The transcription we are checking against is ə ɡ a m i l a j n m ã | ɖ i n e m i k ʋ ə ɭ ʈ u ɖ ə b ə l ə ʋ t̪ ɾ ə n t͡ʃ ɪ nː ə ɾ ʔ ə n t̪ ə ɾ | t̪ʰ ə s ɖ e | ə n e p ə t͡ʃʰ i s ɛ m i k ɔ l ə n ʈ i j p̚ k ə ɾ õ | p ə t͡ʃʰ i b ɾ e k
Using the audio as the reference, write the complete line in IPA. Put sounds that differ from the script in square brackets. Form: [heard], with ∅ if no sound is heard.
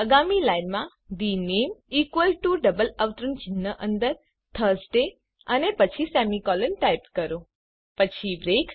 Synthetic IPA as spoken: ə ɡ a m i l a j n m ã | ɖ i n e m i k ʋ ə [l] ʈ u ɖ ə b ə l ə ʋ t̪ ɾ ə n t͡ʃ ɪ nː ə [∅] ʔ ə n [d̪] ə ɾ | t̪ʰ ə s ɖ e | ə n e p ə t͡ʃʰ i s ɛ m i k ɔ l ə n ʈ [a] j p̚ k ə ɾ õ | p ə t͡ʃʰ i b ɾ e k